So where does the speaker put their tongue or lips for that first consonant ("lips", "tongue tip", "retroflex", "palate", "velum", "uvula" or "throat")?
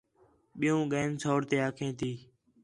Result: lips